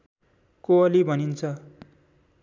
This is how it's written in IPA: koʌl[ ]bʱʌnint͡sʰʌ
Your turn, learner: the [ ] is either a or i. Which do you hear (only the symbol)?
i